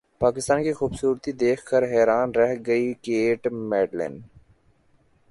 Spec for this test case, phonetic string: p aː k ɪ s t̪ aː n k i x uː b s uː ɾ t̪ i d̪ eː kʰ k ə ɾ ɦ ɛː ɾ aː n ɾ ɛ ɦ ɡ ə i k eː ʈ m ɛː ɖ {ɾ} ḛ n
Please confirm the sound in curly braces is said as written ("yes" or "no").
no